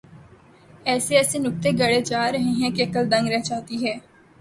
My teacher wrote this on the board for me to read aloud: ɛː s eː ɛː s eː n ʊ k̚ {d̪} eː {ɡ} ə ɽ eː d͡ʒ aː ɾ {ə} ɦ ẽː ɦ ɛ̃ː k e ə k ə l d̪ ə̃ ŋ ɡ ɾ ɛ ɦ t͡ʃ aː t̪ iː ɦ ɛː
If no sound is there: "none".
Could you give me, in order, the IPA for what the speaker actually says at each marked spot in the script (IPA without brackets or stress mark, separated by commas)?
t̪, ɡ, ə